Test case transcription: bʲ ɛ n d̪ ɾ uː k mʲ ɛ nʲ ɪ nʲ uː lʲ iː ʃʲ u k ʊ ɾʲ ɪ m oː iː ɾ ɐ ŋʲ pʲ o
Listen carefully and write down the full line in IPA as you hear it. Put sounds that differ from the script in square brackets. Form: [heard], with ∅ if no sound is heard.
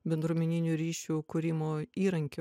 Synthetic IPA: bʲ ɛ n d̪ ɾ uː [∅] mʲ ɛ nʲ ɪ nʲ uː [ɾʲ] iː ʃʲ u k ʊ ɾʲ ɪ m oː iː ɾ ɐ ŋʲ [kʲ] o